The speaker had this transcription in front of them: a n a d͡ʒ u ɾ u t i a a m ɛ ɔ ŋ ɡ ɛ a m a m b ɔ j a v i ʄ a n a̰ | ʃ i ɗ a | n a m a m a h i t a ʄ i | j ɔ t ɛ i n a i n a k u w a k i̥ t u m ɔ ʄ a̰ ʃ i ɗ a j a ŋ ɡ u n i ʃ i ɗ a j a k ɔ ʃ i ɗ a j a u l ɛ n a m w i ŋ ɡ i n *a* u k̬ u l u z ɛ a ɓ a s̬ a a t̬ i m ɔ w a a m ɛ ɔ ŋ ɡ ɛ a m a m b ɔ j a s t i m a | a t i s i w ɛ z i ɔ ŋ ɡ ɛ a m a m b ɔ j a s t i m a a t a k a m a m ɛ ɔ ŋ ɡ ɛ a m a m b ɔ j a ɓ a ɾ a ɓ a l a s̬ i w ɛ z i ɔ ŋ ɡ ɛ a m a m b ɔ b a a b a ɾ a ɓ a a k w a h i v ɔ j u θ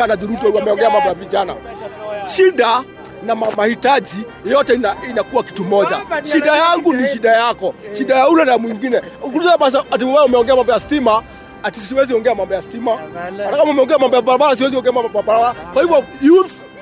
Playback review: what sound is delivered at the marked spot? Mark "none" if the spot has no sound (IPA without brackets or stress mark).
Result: ɛ